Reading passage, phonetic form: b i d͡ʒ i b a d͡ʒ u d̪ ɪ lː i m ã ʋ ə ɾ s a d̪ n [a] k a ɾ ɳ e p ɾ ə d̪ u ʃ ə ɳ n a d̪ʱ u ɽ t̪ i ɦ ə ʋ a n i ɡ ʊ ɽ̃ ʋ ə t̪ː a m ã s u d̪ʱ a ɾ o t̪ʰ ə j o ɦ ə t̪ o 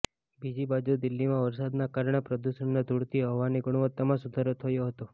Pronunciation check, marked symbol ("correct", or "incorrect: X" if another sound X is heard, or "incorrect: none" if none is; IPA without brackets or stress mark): correct